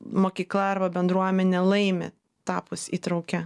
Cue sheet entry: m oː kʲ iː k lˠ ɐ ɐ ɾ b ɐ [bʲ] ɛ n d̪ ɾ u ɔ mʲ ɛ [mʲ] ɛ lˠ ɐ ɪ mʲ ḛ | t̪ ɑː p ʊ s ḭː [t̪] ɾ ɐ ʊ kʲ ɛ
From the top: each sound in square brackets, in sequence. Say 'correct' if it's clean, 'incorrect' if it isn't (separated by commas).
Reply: correct, incorrect, correct